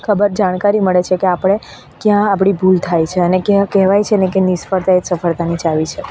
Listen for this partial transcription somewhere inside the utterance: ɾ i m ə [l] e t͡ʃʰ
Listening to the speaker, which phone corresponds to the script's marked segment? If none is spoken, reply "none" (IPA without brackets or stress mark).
ɭ